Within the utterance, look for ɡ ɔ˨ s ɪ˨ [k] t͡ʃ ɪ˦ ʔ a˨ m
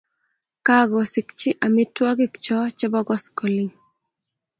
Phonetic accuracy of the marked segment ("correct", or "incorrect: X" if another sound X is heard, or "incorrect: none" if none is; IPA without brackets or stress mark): correct